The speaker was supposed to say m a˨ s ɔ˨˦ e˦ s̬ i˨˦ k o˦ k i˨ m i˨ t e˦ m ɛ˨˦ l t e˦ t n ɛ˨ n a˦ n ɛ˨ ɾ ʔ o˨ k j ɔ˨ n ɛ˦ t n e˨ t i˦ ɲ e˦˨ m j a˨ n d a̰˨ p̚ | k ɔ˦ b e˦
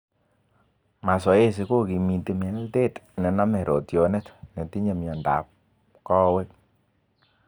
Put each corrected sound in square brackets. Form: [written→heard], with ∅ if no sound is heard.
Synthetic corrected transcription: m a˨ s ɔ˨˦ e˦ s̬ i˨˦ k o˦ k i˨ m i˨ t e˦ m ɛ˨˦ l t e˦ t n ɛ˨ n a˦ [n→m] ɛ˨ ɾ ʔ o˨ [k→t] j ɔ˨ n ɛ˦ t n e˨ t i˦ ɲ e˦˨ m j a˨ n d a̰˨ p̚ | k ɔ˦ [b→w] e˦